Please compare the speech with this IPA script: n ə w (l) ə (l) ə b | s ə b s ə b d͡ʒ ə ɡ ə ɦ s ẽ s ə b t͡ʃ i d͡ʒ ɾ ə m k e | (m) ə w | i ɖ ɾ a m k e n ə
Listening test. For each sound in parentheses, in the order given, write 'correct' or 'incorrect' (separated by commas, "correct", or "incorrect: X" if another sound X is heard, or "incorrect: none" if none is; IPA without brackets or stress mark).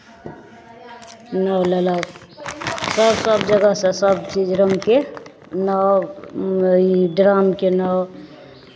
correct, correct, incorrect: n